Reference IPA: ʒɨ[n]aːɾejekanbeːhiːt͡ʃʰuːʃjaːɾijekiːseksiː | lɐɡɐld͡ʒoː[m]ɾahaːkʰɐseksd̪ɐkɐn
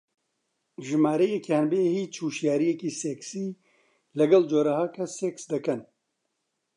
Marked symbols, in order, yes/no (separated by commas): no, no